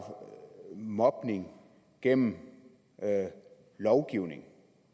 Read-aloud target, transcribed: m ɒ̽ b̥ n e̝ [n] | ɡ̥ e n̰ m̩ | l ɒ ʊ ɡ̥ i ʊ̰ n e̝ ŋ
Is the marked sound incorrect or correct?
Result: incorrect